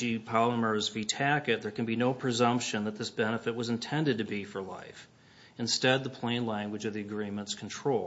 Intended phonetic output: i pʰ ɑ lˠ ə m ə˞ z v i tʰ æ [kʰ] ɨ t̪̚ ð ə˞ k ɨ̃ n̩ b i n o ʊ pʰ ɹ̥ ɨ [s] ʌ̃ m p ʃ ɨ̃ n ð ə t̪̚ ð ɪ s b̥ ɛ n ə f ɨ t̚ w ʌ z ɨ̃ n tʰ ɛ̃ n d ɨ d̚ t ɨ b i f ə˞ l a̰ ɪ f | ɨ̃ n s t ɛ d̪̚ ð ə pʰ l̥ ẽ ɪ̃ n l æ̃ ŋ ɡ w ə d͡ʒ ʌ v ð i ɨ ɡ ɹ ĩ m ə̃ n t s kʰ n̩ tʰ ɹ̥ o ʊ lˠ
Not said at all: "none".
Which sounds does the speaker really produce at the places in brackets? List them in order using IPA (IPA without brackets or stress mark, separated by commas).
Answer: k, z